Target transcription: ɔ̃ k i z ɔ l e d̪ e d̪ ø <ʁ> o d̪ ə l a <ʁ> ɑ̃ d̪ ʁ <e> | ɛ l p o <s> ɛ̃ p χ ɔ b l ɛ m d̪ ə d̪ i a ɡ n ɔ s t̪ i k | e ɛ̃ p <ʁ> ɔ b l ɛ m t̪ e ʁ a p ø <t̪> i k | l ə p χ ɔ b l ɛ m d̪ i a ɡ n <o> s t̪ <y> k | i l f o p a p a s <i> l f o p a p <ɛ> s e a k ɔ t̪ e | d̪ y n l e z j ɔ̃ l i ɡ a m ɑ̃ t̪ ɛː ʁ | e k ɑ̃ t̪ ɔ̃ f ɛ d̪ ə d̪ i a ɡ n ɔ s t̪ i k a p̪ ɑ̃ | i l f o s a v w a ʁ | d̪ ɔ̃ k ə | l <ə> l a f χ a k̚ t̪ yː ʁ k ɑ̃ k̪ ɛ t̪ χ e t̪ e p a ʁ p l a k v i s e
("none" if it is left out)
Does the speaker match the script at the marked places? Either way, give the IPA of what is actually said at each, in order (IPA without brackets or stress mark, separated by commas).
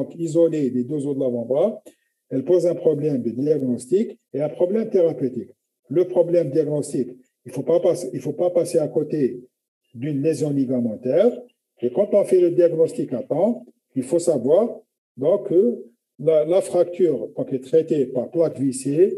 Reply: z, v, a, z, χ, t̪, ɔ, i, i, a, a